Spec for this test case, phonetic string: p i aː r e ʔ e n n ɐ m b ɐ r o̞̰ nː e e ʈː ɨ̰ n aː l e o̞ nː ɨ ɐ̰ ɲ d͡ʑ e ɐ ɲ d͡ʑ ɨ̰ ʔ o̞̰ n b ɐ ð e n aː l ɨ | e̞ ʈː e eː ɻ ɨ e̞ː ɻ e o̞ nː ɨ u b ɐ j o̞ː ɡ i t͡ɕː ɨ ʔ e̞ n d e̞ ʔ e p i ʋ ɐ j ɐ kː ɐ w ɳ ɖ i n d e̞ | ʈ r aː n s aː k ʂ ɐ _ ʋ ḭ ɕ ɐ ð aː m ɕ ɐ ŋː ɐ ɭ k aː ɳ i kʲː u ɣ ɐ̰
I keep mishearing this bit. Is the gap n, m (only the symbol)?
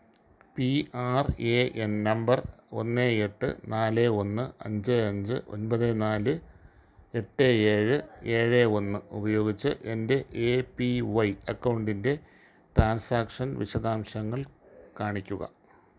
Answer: n